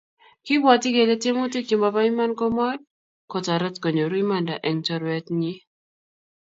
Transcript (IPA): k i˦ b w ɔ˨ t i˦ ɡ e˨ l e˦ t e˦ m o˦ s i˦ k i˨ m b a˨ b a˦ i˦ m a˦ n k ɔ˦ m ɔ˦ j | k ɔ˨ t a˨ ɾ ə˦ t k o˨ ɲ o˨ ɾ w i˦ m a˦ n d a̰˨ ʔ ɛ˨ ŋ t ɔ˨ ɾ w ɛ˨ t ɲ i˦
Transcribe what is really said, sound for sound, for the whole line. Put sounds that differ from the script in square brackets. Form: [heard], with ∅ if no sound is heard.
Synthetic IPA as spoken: k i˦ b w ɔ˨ t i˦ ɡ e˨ l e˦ t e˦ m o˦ [t] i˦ k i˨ m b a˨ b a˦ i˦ m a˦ n k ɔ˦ m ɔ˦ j | k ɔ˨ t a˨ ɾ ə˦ t k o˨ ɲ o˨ ɾ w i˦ m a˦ n d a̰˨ ʔ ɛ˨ ŋ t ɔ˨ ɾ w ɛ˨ t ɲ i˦